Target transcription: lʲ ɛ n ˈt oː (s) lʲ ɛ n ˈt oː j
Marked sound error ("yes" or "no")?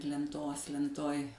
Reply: no